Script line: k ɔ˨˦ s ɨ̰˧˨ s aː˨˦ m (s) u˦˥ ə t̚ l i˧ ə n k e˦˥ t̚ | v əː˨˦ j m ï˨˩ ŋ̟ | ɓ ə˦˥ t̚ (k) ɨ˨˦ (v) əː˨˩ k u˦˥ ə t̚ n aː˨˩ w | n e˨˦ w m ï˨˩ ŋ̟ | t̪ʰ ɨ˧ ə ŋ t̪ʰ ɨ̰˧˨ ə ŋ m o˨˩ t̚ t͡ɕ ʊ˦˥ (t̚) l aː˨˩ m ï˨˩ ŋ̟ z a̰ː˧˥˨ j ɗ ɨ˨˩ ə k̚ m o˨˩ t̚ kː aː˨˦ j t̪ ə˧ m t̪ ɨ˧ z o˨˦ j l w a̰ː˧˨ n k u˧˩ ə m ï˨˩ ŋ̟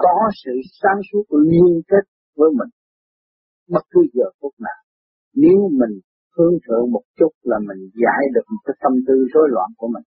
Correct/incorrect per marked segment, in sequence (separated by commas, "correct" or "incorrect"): correct, correct, incorrect, correct